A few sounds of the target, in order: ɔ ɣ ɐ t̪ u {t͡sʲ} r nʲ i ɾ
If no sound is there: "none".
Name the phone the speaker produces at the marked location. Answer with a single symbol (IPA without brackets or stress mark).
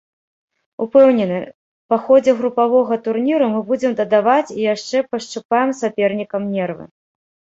none